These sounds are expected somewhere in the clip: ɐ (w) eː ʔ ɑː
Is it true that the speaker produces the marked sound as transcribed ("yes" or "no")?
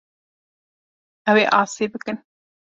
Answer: yes